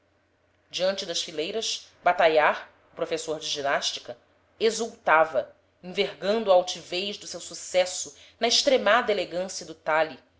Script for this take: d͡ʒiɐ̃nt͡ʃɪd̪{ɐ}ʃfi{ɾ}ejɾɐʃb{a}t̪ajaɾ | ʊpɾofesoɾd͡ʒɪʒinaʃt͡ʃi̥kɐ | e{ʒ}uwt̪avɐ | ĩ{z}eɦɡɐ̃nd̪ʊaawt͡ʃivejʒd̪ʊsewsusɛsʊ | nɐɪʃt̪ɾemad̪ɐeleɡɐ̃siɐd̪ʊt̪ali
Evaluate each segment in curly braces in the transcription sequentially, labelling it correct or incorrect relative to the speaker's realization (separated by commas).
correct, incorrect, correct, incorrect, incorrect